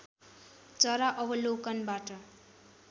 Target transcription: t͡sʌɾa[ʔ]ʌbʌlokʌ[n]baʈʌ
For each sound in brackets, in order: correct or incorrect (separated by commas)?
correct, correct